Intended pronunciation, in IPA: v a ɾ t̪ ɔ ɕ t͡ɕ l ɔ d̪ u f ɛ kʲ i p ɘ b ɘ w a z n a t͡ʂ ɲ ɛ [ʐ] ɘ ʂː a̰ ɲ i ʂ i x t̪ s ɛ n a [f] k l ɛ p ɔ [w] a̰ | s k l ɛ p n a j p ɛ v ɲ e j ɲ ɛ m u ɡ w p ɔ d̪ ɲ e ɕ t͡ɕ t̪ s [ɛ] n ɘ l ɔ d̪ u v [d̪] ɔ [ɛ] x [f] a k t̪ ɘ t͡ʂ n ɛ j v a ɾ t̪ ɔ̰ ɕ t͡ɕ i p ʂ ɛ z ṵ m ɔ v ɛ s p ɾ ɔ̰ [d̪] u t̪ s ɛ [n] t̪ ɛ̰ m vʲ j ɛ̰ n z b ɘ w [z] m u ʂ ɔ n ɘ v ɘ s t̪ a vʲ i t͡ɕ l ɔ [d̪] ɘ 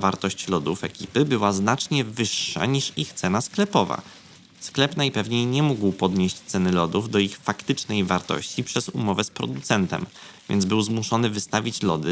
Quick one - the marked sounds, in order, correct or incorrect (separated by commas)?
incorrect, incorrect, incorrect, correct, correct, incorrect, correct, correct, correct, correct, correct